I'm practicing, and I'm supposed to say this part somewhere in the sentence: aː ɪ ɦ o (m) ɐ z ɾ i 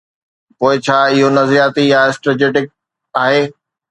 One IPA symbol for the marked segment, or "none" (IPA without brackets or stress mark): n